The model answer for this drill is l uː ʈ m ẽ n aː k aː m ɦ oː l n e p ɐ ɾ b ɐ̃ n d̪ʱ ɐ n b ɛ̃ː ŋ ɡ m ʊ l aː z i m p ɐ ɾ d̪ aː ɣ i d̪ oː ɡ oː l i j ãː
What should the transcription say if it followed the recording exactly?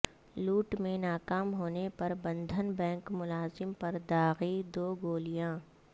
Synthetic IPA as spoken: l uː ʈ m ẽ n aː k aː m ɦ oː n e p ɐ ɾ b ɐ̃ n d̪ʱ ə n b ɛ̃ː ŋ k m ʊ l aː z ɪ m p ɐ ɾ d̪ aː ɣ i d̪ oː ɡ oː l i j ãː